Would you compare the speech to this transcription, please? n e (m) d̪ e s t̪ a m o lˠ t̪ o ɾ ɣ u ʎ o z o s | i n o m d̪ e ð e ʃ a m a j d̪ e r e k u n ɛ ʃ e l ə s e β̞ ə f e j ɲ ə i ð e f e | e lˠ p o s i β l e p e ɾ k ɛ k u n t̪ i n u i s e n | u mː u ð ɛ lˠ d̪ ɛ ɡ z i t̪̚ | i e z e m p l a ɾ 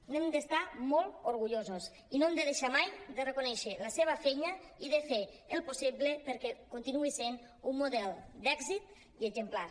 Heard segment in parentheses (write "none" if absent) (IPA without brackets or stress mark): m